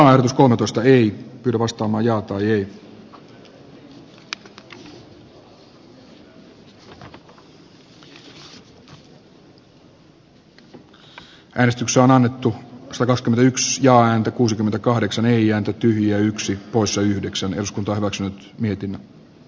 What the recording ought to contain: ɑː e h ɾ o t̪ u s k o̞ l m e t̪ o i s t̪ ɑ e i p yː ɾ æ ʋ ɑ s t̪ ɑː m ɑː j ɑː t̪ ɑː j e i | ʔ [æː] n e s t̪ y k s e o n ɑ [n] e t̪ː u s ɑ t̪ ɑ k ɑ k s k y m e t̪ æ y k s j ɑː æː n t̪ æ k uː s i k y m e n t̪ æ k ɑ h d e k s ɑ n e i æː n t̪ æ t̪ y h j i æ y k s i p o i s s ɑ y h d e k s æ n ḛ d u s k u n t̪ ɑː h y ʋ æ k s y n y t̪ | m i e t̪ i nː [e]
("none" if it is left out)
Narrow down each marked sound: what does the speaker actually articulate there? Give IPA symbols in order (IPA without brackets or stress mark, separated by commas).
æː, nː, æ